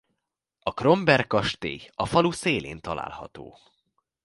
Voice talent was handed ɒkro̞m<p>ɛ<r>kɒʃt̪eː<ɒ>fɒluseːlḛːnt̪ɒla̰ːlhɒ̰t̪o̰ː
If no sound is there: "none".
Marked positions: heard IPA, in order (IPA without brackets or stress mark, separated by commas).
b, r, ɒ